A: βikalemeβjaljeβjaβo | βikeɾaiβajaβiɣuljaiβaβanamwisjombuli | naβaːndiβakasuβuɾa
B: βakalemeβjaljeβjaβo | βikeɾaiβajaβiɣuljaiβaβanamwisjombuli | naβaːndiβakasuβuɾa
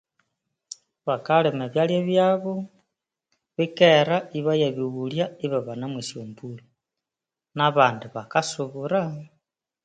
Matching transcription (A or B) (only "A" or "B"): B